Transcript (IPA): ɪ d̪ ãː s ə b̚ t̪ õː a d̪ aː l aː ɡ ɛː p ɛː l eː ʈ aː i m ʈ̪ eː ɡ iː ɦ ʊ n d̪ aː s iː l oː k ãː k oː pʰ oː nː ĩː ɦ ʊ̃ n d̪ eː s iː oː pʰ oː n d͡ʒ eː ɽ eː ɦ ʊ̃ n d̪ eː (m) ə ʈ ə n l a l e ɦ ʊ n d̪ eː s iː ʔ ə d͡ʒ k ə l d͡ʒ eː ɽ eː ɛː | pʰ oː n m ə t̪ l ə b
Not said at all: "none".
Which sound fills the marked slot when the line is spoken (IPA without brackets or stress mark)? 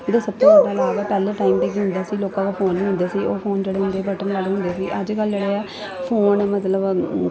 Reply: b